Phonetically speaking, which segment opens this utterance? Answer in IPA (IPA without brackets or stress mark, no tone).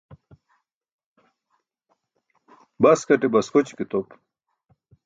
b